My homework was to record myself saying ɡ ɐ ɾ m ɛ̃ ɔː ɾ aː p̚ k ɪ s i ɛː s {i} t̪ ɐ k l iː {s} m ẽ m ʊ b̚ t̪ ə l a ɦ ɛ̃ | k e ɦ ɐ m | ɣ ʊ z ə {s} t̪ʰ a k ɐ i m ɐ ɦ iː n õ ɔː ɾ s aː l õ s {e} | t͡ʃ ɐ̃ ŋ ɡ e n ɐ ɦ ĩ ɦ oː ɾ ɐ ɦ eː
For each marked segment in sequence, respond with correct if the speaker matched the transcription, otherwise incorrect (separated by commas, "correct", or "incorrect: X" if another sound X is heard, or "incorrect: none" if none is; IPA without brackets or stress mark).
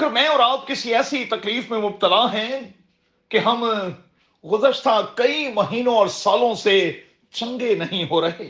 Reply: correct, incorrect: f, incorrect: ʃ, correct